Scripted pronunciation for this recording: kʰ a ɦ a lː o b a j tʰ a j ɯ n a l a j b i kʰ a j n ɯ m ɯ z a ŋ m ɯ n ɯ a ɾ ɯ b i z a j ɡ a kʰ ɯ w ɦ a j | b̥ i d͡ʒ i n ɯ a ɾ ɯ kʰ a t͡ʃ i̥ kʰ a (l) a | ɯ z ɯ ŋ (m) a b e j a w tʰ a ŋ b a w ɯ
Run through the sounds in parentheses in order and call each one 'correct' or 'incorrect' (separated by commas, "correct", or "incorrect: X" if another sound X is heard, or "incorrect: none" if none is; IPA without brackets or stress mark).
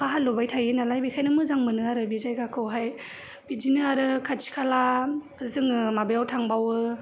correct, correct